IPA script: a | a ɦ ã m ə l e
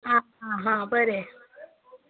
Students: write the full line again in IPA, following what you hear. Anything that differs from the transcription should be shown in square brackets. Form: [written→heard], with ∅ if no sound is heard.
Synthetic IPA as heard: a | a ɦ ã [m→b] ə [l→ɾ] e

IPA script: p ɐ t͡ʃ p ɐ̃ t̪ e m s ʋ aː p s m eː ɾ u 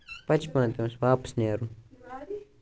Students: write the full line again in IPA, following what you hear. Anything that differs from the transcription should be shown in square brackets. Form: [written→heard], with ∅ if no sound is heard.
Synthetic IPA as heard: p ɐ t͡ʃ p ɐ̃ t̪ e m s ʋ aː p s [m→n] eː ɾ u

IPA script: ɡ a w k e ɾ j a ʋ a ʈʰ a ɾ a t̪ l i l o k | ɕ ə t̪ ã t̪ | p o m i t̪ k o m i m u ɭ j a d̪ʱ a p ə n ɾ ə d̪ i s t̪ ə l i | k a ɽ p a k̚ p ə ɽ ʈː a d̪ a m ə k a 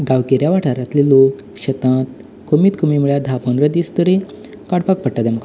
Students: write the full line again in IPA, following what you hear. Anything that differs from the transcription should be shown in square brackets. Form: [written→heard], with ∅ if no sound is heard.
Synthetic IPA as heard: ɡ a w k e ɾ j a ʋ a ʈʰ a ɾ a t̪ l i l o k | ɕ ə t̪ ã t̪ | [p→k] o m i t̪ k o m i m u ɭ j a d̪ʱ a p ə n ɾ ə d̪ i s t̪ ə [l→ɾ] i | k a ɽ p a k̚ p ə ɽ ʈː a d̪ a m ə k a

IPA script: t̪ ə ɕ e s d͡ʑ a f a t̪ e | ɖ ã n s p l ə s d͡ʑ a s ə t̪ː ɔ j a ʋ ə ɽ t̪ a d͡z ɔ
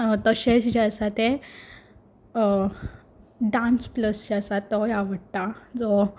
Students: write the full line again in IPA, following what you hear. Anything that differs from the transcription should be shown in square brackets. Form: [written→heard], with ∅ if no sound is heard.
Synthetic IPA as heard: t̪ ə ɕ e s d͡ʑ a [f→s] a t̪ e | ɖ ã n s p l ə s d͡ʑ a s [ə→a] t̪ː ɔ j a ʋ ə ɽ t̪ a d͡z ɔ

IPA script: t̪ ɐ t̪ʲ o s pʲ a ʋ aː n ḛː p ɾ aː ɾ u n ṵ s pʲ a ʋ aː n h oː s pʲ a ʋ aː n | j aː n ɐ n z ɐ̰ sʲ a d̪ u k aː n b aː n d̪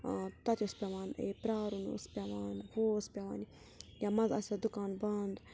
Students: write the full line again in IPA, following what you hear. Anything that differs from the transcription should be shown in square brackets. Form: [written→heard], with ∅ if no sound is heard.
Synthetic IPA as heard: t̪ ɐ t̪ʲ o s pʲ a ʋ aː n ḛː p ɾ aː ɾ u n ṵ s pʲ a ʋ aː n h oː s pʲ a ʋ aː n | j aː [n→m] ɐ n z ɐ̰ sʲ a d̪ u k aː n b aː n d̪

